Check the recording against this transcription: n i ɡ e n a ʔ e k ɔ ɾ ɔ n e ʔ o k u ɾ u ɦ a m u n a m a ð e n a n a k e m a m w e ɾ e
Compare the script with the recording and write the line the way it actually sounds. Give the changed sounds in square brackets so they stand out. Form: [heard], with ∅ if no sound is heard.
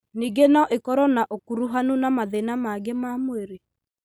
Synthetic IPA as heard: n i ɡ e n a ʔ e k ɔ ɾ ɔ n [a] ʔ o k u ɾ u ɦ a [n] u n a m a ð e n a [m] a [ɡ] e m a m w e ɾ e